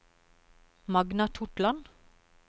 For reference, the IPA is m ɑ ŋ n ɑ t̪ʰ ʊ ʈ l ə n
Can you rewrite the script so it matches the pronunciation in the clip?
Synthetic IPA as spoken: m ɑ ɡ n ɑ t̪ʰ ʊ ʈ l ɑ n